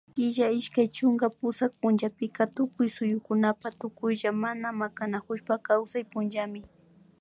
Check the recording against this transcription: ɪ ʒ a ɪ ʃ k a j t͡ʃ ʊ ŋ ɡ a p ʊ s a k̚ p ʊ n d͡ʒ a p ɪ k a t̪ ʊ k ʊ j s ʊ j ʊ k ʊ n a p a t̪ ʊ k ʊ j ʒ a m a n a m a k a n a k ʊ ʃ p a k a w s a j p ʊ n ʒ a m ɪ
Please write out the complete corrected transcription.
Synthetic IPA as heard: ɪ ʒ a ɪ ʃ k a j t͡ʃ ʊ ŋ ɡ a p ʊ s a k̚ p ʊ n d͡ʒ a p ɪ k a t̪ ʊ k ʊ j s ʊ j ʊ k ʊ n a p a t̪ ʊ k ʊ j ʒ a m a n a m a k a n a k ʊ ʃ p a k a w s a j p ʊ n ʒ a m ɪ